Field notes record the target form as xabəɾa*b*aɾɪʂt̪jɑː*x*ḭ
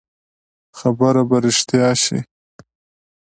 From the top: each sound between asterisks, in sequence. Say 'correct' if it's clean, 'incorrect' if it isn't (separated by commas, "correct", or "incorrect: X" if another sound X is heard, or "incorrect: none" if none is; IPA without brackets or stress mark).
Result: correct, incorrect: ʃ